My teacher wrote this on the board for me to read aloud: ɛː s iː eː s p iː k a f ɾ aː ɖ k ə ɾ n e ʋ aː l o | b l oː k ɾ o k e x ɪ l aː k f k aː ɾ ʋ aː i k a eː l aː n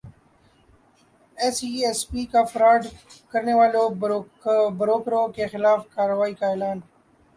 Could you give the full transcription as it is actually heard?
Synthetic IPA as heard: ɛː s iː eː s p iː k a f ɾ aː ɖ k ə ɾ n e ʋ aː l o | b ɾ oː k ɾ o k e x ɪ l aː f k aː ɾ ʋ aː i k a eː l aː n